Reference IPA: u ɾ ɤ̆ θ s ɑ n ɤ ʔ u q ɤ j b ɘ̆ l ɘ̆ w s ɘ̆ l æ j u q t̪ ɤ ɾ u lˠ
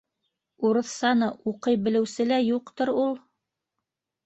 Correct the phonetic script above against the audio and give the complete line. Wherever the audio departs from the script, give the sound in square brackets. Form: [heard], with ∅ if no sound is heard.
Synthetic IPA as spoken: u ɾ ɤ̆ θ s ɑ n ɤ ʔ u q ɤ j b ɘ̆ l ɘ̆ w s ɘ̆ l æ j u q t̪ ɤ ɾ u lˠ